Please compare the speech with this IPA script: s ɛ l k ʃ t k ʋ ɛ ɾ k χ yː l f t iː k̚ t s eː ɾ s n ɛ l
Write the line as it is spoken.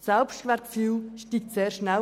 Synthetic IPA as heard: s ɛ l p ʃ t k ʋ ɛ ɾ k f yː l ʃ t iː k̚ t s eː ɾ ʃ n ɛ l